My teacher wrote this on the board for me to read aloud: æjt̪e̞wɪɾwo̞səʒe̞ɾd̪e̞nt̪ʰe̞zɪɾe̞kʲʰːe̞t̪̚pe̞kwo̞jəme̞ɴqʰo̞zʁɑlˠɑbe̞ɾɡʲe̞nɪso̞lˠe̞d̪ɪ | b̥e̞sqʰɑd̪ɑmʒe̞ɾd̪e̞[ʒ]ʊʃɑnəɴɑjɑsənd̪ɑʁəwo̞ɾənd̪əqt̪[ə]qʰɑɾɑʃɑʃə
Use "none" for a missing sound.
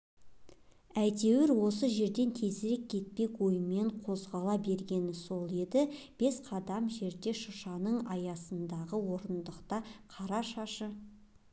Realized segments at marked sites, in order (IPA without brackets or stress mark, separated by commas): ʃ, ɑ